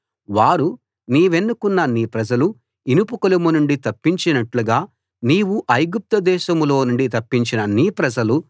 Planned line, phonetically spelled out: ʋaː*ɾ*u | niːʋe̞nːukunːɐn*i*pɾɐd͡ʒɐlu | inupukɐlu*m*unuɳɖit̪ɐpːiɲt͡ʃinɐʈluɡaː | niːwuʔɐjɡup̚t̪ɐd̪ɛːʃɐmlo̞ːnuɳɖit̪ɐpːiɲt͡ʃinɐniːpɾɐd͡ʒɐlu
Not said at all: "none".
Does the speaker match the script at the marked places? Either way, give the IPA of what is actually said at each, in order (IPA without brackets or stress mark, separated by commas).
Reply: ɾ, iː, m